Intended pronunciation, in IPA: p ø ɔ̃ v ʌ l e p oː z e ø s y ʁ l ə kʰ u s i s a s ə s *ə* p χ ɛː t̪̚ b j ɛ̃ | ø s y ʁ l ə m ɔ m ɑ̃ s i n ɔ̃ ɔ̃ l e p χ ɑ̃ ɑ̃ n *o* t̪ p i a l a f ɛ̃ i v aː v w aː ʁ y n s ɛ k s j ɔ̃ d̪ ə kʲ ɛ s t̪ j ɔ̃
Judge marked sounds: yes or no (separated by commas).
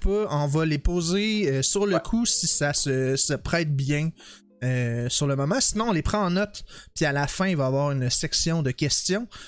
yes, no